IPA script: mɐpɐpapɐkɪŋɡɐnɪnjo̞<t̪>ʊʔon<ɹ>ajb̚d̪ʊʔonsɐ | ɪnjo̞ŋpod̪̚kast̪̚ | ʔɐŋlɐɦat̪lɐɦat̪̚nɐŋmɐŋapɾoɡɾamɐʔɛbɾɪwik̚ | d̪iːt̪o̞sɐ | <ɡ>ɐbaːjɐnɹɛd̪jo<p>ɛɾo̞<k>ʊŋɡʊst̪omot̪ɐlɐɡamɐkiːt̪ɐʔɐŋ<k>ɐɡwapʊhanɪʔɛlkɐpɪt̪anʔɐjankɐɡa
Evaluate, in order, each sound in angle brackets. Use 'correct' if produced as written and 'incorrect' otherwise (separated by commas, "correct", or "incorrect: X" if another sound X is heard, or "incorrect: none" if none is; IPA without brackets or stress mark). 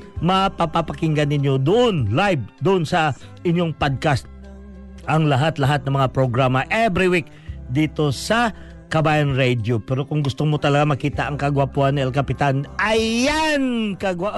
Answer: incorrect: d̪, incorrect: l, incorrect: k, correct, correct, correct